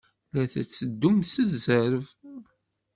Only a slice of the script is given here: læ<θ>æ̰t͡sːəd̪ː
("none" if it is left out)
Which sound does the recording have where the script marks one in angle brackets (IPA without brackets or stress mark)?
θ